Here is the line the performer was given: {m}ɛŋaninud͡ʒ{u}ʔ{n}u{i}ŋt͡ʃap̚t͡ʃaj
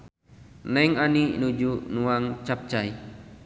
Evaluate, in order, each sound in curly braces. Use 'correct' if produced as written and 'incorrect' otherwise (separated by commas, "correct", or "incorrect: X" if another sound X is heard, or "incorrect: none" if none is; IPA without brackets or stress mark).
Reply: incorrect: n, correct, correct, incorrect: a